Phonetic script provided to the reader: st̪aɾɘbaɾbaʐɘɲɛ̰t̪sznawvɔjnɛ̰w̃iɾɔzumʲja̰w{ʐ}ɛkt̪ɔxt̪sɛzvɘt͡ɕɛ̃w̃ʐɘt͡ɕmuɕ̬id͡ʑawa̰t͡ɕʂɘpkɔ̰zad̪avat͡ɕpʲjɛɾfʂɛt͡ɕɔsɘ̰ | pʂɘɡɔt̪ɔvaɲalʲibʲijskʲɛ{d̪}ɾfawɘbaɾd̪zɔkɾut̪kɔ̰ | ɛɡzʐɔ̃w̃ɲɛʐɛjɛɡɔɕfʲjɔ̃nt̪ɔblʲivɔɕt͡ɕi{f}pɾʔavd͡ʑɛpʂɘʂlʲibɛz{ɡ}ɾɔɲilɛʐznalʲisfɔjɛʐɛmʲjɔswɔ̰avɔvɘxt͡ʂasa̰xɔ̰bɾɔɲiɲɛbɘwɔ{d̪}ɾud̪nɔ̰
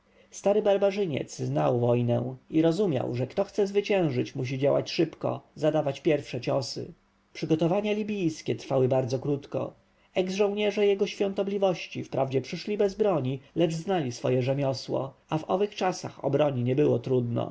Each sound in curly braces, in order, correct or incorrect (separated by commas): correct, incorrect, correct, incorrect, incorrect